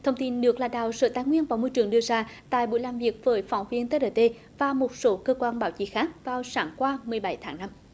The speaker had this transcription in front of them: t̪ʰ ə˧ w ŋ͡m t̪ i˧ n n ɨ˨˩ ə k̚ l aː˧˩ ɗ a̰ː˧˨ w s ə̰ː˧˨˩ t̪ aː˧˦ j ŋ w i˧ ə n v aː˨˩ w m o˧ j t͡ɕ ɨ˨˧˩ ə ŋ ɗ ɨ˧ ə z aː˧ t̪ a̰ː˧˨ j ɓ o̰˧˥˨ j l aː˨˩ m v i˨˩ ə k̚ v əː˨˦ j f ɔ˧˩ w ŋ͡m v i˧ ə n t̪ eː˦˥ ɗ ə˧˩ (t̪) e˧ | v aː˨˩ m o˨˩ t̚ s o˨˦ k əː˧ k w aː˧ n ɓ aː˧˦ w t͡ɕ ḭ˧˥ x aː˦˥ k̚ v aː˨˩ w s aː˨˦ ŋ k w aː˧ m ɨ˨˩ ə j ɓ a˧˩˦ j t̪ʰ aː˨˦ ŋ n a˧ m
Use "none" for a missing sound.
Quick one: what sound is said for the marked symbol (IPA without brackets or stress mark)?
t̪